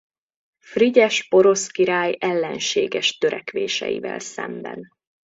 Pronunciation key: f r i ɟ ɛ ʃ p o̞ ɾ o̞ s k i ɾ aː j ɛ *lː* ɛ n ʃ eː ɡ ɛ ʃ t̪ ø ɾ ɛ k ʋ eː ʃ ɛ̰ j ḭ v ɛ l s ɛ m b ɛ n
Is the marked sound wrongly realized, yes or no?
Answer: no